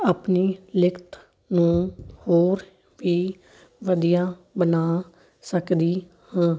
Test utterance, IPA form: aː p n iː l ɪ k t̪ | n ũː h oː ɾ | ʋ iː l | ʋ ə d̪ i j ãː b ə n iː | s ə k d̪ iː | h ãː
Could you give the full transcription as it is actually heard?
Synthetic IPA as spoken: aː p n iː l ɪ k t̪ | n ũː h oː ɾ | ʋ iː | ʋ ə d̪ i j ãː b ə n aː | s ə k d̪ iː | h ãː